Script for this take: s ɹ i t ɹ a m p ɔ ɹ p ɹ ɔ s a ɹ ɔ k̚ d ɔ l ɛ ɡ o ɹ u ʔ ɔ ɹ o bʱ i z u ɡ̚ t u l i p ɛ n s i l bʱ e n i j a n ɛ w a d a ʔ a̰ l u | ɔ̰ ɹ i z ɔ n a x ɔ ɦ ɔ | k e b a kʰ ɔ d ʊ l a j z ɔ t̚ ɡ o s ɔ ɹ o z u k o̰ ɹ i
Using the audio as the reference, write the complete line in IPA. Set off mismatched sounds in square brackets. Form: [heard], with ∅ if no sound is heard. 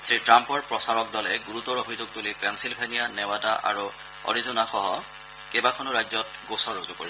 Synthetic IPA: s ɹ i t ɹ a m p ɔ ɹ p ɹ ɔ s a ɹ ɔ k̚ d ɔ l ɛ ɡ [u] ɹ u [t] ɔ ɹ o bʱ i z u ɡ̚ t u l i p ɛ n s i l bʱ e n i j a n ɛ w a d a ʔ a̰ [ɹ] u | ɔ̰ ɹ i z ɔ n a x ɔ ɦ ɔ | k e b a kʰ ɔ [n] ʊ [ɹ] a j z ɔ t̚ ɡ o s ɔ ɹ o z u k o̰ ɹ i